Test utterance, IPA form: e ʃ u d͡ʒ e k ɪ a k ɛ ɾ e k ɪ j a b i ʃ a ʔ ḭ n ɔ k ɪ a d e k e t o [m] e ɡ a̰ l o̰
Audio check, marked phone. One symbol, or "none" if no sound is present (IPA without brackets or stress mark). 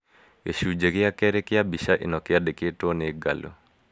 n